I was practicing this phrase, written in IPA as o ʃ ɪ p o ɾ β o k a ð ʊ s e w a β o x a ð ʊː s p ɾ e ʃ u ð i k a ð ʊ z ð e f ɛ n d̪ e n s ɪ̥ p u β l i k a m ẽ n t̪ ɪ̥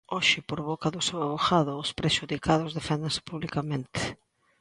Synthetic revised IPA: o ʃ ɪ p o ɾ β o k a ð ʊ s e w a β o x a ð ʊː s p ɾ e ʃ u ð i k a ð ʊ z ð e f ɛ n d̪ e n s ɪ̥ p u β l i k a m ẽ n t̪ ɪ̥